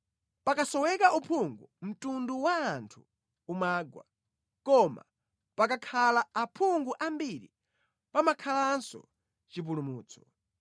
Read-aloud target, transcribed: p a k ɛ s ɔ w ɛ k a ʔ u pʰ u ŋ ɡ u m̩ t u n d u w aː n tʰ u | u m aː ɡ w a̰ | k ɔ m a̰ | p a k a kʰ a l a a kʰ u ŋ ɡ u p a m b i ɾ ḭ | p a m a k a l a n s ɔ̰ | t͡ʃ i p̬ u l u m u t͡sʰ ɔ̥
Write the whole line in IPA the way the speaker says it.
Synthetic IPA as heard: p a k a s ɔ w ɛ k a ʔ u pʰ u ŋ ɡ u m̩ t u n d u w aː n tʰ u | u m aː ɡ w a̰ | k ɔ m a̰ | p a k a kʰ a l a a pʰ u ŋ ɡ u ʔ a m b i ɾ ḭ | p a m a kʰ a l a n s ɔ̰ | t͡ʃ i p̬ u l u m uː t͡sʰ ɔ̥